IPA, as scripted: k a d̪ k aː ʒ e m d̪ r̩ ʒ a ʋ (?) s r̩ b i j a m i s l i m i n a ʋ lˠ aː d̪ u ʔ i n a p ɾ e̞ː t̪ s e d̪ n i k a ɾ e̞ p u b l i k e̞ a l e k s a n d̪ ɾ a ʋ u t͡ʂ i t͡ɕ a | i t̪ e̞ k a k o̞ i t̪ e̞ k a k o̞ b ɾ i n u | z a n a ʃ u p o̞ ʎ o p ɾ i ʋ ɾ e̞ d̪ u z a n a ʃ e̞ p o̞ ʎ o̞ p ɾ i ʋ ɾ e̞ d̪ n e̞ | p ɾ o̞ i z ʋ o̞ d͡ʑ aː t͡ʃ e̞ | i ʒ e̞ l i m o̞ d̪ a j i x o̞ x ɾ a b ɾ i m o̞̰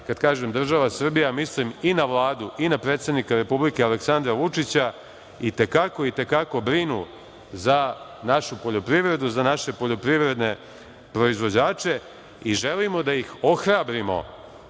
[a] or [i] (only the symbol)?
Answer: a